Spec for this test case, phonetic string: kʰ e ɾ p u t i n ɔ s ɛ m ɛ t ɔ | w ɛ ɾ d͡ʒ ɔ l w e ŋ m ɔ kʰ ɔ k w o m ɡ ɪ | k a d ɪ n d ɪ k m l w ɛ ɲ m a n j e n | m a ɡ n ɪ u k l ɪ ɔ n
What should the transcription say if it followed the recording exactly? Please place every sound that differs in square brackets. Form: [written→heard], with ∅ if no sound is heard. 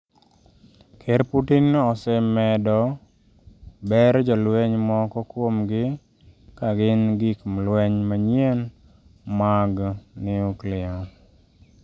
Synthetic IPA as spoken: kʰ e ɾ p u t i n ɔ s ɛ m ɛ [t→d] ɔ | [w→b] ɛ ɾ d͡ʒ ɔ l w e [ŋ→ɲ] m ɔ [kʰ→k] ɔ k w o m ɡ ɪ | k a [d→ɡ] ɪ n [d→ɡ] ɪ k m l w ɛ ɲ m a [n→ɲ] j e n | m a ɡ n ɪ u k l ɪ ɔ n